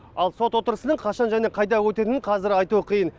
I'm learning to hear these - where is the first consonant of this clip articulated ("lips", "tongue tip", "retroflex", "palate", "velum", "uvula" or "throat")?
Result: tongue tip